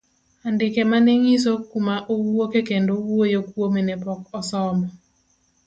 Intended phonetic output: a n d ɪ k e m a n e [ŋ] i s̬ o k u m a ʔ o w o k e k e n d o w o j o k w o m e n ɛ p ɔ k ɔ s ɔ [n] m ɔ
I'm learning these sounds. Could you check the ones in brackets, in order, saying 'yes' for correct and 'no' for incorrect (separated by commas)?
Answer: yes, no